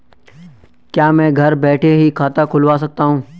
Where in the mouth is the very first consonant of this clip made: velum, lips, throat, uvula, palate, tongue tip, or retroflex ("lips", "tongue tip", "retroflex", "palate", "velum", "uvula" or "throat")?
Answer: velum